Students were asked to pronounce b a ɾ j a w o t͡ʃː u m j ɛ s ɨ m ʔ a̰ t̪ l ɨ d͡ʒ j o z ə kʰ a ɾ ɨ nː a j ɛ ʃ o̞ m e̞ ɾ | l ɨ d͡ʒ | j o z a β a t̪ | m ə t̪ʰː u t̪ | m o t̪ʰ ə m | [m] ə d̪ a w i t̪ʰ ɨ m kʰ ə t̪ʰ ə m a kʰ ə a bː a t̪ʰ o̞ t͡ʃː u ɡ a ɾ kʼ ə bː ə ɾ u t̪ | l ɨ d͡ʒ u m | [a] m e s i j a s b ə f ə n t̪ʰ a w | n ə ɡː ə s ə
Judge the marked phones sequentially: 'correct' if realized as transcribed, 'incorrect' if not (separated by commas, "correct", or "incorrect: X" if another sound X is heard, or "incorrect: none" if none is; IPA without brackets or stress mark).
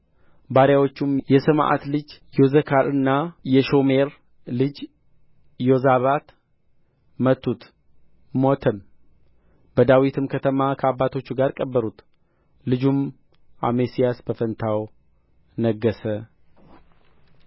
incorrect: b, correct